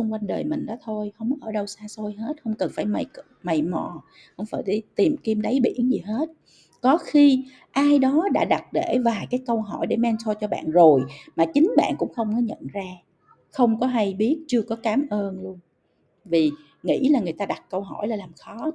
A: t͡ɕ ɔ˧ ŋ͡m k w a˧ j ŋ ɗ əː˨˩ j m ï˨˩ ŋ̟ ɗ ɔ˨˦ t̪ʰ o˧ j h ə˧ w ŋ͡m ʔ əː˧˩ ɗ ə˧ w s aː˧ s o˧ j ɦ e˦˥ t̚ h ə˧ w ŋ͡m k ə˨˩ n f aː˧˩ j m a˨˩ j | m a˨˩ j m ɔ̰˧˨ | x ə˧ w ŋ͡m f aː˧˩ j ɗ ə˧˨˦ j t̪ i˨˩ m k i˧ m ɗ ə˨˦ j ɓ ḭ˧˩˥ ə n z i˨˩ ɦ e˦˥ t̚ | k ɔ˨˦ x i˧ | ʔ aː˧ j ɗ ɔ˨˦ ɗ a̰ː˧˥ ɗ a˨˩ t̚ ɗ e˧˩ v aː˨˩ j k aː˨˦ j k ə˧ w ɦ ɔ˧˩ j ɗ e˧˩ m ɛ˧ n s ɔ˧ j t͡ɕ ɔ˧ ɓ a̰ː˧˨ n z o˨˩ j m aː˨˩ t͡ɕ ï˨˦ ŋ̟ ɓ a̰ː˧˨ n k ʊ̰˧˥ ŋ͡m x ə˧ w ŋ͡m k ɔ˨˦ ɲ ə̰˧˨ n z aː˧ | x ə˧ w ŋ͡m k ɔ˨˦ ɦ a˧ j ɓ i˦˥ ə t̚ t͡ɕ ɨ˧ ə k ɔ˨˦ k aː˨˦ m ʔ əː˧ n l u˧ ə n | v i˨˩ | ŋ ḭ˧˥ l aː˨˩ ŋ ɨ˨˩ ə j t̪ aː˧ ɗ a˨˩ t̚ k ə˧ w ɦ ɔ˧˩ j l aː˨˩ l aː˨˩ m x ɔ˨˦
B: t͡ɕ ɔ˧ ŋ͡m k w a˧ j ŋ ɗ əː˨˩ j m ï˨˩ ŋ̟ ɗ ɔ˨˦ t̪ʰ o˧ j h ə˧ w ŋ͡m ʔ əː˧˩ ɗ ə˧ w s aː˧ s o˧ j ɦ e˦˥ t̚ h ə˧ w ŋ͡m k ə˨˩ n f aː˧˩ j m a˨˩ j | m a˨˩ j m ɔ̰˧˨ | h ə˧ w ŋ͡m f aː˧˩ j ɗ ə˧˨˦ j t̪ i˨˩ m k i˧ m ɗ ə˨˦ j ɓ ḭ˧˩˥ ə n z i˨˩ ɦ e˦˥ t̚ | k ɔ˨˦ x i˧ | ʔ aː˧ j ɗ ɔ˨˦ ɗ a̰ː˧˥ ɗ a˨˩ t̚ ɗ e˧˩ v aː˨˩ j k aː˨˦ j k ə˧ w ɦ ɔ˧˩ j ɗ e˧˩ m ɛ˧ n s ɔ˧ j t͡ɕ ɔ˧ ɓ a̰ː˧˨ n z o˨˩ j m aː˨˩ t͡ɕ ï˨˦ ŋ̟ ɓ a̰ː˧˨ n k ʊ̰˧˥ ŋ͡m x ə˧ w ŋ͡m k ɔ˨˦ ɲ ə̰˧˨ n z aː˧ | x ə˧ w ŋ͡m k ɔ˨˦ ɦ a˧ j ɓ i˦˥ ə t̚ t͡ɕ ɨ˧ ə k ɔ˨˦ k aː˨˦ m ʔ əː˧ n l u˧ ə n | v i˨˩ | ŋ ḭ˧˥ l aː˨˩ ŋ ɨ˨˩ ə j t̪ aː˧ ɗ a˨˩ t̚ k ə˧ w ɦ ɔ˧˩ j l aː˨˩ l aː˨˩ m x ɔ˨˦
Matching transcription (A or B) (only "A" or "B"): B